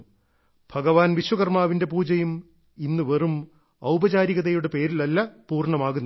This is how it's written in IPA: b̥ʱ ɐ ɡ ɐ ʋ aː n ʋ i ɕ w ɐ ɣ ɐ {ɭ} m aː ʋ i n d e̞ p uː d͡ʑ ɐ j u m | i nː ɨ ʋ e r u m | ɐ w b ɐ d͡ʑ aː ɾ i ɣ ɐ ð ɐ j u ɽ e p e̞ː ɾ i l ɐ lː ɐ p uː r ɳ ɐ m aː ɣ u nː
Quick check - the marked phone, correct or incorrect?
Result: incorrect